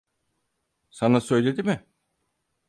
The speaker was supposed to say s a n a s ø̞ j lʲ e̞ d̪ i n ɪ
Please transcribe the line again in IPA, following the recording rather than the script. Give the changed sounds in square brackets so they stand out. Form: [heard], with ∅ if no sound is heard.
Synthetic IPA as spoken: s a n a s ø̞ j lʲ e̞ d̪ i [m] ɪ